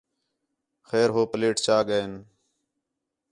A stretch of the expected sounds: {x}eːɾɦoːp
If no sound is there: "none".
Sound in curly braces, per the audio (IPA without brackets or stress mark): x